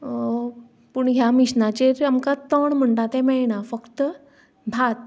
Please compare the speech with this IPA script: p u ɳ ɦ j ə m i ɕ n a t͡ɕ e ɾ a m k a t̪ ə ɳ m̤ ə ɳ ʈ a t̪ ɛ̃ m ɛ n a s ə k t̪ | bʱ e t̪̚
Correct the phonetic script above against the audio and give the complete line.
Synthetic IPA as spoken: p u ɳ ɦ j a m i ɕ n a t͡ɕ e ɾ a m k a t̪ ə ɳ m̤ ə ɳ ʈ a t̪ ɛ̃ m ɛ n a f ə k t̪ | bʱ a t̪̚